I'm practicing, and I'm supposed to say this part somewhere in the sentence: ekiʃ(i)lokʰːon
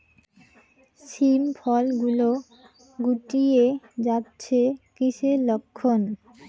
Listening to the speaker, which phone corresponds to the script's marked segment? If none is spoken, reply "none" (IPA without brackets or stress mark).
e